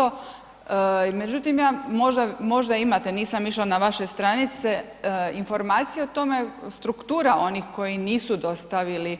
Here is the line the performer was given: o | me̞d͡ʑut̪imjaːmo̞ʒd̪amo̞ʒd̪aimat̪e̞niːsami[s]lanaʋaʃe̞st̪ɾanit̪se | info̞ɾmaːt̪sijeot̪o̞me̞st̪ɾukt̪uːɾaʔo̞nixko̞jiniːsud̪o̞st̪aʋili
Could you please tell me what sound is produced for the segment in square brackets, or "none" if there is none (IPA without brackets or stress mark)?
ʃ